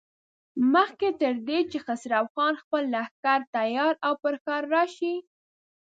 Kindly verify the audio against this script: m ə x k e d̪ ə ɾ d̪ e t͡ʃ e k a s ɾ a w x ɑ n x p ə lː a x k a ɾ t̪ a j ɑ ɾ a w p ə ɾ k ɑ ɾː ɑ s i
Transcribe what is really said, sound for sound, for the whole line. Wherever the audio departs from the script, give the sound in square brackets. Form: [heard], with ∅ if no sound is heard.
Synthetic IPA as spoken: m ə x k e [t̪] ə ɾ d̪ e t͡ʃ e [x] a s ɾ a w x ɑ n x p ə lː a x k a ɾ t̪ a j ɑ ɾ a w p ə ɾ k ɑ ɾː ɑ [ʃ] i